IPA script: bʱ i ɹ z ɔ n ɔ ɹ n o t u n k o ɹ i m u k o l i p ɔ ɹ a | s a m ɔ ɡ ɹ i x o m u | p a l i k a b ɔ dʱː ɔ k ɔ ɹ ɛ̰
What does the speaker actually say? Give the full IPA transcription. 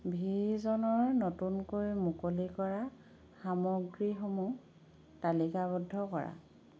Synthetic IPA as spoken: bʱ i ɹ z ɔ n ɔ ɹ n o t u n k o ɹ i m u k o l i k ɔ ɹ a | x a m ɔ ɡ ɹ i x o m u | t a l i k a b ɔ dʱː ɔ k ɔ ɹ a̰